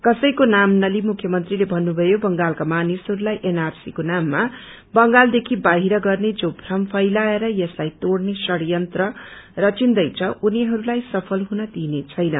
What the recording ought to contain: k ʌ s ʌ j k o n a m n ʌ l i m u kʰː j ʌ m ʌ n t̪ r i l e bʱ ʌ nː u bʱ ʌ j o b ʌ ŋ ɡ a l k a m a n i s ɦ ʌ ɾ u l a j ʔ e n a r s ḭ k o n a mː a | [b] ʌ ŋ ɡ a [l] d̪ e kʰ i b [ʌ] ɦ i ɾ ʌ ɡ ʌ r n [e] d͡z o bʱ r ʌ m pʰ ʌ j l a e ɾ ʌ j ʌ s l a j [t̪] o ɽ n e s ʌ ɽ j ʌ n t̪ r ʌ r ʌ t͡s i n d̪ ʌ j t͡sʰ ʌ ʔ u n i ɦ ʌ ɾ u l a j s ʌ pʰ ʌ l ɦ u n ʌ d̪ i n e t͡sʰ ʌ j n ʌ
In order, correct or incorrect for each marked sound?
correct, correct, incorrect, correct, correct

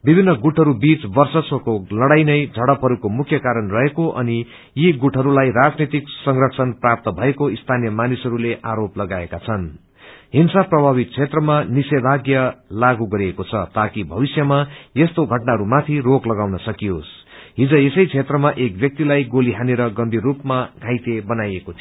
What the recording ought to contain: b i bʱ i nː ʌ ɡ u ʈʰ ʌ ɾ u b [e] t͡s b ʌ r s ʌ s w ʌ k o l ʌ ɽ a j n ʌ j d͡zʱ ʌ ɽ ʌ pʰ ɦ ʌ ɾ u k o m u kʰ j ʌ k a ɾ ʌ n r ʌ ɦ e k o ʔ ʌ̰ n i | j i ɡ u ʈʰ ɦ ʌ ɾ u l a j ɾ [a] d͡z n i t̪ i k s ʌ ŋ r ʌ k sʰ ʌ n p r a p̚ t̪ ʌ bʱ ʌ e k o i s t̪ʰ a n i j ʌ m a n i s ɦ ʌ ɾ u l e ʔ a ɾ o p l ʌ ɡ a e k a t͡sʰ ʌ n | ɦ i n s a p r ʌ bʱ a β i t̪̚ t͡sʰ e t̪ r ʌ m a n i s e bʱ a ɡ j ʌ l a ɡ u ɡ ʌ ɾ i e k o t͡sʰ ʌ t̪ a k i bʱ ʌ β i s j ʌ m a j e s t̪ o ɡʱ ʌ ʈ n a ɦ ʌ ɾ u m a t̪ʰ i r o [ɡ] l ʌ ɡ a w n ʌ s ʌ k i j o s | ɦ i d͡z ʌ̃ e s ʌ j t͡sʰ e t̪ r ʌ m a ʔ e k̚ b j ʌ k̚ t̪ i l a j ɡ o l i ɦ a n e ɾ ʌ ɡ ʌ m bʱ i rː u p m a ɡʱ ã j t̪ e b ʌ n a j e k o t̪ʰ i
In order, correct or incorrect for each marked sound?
incorrect, correct, incorrect

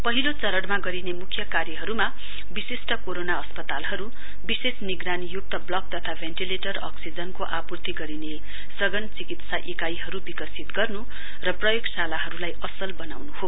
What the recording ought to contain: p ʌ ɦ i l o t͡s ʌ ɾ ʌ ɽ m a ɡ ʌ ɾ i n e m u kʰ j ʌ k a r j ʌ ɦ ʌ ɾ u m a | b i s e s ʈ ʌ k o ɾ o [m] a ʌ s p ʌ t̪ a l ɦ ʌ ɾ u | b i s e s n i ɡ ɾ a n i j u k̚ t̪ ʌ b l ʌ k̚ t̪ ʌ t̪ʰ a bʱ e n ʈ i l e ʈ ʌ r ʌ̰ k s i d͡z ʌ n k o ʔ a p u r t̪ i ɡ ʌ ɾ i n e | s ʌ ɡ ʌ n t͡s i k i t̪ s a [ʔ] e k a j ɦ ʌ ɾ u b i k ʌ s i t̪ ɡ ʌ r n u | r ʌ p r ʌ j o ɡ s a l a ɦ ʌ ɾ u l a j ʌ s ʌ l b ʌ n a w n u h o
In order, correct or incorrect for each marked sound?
incorrect, correct

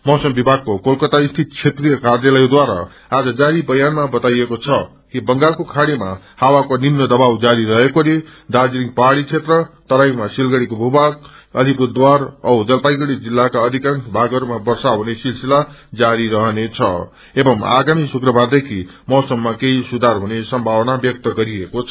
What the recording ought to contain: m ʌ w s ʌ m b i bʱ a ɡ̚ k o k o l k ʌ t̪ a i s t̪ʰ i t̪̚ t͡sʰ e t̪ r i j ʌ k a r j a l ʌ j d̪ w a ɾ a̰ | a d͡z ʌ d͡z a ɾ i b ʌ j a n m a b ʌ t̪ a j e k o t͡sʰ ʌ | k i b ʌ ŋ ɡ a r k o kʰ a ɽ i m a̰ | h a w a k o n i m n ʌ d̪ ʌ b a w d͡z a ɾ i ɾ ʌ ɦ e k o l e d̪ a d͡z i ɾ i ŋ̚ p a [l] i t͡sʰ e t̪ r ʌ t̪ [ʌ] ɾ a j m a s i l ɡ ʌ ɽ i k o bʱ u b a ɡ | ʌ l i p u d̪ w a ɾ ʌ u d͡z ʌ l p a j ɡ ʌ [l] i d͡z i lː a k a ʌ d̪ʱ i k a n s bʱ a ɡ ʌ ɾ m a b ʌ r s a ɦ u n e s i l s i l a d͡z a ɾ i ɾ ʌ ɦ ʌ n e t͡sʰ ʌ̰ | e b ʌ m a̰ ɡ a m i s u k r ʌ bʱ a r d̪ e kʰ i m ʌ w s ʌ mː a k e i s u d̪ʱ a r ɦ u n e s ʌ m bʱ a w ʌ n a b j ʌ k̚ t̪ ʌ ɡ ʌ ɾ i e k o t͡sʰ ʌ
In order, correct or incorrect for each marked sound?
incorrect, correct, incorrect

